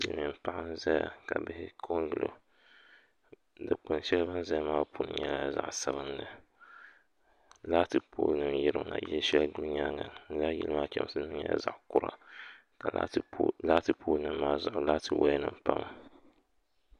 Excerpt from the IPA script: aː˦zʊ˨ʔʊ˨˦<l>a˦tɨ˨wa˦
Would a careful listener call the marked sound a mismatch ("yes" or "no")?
no